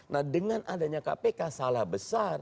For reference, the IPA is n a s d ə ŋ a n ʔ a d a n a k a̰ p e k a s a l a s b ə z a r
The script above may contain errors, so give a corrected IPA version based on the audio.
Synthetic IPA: n a h d ə ŋ a n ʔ a d a ɲ a k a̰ p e k a s a l a h b ə s a r